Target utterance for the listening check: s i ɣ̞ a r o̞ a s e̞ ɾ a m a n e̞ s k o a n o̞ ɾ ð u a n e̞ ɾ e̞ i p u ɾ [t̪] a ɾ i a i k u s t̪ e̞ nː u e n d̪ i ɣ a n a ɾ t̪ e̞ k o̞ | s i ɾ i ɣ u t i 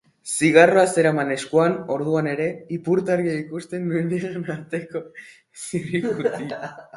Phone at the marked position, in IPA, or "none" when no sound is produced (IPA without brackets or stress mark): t̪